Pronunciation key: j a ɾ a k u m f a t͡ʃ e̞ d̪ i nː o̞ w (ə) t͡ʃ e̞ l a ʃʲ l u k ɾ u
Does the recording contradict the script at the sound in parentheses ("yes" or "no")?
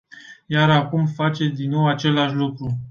yes